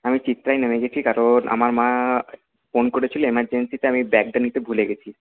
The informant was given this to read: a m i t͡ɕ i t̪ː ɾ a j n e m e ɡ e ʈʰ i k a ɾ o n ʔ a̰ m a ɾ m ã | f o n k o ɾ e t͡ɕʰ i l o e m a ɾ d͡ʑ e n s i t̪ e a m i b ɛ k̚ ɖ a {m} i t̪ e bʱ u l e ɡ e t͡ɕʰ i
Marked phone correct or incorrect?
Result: incorrect